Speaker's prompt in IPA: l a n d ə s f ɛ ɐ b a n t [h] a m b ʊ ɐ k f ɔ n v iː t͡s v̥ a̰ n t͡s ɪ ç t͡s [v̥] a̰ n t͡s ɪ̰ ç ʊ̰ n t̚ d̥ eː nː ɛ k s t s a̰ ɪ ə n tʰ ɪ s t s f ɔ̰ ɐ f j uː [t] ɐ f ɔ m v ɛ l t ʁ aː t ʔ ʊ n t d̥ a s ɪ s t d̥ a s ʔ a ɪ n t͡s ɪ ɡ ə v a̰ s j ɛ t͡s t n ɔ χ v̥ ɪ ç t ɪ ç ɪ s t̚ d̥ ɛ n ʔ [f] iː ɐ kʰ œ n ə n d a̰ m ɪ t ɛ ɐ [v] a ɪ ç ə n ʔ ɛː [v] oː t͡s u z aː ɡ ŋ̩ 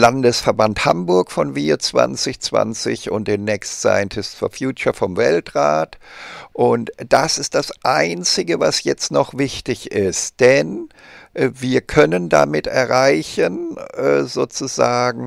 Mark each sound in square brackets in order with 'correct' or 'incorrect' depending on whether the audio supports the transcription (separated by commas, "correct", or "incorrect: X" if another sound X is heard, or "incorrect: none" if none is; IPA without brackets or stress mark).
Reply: correct, correct, incorrect: t͡ʃ, incorrect: v, incorrect: ʁ, incorrect: z